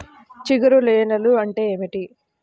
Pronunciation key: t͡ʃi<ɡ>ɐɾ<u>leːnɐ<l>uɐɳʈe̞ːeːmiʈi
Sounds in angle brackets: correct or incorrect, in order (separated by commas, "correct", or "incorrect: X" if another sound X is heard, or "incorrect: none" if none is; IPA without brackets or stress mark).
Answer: correct, correct, correct